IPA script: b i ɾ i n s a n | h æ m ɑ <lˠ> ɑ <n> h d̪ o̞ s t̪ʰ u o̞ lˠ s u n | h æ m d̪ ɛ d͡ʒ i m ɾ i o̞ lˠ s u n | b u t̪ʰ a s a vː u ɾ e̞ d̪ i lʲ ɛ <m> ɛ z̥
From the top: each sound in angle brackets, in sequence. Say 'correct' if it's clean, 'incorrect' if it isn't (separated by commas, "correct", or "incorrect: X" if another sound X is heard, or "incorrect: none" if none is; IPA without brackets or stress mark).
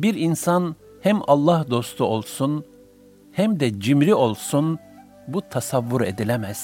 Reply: incorrect: lˠː, incorrect: none, correct